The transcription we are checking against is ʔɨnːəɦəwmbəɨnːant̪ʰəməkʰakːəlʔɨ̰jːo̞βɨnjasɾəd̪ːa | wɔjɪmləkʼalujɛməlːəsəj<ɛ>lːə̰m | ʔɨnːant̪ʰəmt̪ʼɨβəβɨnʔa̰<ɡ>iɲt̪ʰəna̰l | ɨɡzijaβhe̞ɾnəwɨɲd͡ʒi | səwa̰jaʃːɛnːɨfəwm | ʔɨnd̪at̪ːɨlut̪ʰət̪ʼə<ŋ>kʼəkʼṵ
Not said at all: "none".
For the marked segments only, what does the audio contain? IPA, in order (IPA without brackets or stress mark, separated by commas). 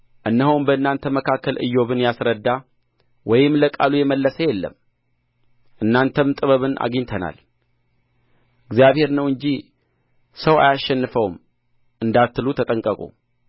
ɛ, ɡ, ŋ